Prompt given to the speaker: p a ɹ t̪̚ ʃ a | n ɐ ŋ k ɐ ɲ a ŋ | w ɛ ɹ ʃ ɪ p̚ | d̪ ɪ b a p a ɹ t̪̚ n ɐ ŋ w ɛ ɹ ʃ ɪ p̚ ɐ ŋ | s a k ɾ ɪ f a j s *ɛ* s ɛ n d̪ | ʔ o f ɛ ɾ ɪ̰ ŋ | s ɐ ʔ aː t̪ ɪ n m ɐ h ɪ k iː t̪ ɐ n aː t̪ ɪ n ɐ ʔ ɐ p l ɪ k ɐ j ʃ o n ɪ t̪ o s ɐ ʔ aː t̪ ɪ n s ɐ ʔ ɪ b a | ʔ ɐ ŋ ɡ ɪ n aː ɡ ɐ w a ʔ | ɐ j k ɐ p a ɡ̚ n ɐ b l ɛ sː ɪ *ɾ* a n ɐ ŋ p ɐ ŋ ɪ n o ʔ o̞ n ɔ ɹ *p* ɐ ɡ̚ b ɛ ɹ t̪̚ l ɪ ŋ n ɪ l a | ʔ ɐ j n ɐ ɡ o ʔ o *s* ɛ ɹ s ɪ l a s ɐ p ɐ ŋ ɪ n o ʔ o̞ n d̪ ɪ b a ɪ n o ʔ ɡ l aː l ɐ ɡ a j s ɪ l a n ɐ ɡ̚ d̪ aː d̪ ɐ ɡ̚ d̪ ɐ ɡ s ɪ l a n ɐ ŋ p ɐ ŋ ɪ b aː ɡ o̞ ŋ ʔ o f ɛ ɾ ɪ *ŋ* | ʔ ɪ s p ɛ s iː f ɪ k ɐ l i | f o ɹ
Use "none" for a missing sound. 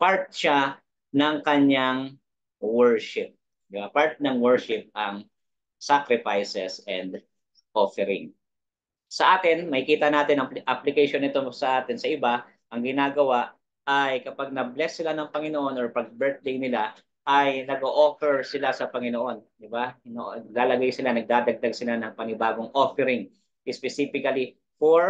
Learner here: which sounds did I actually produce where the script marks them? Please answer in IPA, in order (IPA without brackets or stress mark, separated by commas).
ɛ, l, p, f, ŋ